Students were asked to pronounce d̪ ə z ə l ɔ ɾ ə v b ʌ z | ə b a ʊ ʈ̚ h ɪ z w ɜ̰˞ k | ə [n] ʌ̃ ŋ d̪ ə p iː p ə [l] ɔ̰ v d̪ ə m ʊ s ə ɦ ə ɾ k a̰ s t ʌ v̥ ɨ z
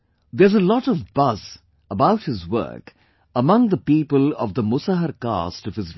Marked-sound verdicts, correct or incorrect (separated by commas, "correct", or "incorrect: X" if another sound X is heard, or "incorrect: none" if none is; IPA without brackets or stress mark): incorrect: m, correct